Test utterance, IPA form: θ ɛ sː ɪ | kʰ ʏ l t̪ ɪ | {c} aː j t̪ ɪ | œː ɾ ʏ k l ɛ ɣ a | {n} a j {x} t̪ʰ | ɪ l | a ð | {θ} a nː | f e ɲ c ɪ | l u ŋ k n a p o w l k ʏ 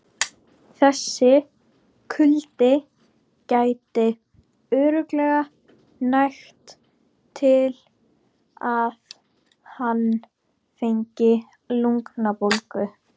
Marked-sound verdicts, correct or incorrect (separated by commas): correct, correct, correct, incorrect